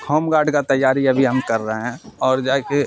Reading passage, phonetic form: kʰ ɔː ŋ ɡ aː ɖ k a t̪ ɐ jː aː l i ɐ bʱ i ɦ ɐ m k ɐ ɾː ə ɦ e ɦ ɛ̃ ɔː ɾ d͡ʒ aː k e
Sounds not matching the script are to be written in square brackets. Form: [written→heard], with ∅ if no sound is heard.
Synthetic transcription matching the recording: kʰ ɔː [ŋ→m] ɡ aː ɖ k a t̪ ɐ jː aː [l→ɾ] i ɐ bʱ i ɦ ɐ m k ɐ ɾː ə ɦ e ɦ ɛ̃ ɔː ɾ d͡ʒ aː k e